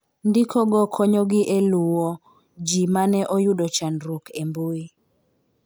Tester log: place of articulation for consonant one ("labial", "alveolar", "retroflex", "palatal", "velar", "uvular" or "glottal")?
alveolar